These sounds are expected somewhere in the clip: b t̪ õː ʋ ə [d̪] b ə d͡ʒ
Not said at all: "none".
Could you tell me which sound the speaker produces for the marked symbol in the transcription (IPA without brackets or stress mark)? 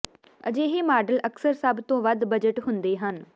d̪